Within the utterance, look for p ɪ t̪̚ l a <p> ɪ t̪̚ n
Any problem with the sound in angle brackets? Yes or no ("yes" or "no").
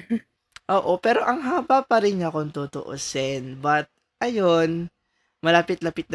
no